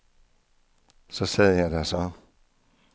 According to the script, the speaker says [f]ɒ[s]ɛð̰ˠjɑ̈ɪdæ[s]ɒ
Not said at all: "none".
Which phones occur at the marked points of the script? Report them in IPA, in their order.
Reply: s, s, s

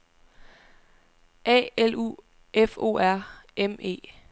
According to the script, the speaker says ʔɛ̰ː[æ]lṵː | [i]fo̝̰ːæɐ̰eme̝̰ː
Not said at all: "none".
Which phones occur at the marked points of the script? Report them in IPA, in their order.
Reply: e, e

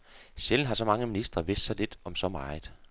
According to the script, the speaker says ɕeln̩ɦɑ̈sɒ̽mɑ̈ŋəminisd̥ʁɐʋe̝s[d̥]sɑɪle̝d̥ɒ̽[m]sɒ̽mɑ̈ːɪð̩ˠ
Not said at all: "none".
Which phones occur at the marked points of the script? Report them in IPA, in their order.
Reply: d̥, m

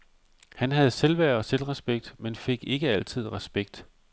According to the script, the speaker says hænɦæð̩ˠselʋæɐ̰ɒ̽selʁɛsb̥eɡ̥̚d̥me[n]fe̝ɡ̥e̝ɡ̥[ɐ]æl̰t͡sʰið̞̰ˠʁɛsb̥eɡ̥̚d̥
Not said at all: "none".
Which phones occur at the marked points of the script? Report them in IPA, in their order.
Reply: n, ə

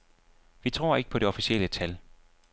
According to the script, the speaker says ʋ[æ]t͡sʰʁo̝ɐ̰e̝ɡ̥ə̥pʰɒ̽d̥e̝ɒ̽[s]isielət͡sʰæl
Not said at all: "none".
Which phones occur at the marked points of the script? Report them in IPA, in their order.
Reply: i, f

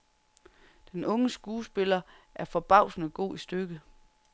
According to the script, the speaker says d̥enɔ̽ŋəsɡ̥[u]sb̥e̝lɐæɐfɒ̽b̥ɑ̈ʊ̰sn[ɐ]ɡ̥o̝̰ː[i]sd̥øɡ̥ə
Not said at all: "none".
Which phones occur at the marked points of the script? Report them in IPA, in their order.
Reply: uː, ə, i

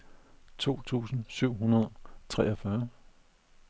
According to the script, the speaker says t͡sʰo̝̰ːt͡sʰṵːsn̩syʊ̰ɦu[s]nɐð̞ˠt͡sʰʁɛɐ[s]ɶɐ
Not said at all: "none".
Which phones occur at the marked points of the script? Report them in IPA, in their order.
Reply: none, f

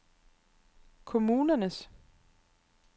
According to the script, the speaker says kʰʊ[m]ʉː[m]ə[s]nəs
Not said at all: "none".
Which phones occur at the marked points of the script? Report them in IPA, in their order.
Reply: m, n, none

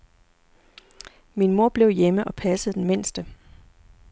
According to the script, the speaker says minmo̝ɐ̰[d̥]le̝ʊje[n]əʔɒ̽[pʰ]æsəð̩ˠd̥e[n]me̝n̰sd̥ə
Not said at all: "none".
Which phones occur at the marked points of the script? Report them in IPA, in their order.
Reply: b̥, m, pʰ, n

